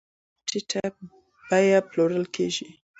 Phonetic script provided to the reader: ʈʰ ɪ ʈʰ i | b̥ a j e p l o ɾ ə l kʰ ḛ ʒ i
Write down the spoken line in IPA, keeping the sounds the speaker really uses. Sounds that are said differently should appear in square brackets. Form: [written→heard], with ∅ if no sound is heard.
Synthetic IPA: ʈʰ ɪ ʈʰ [i→a] | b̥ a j [e→a] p l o ɾ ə l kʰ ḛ ʒ i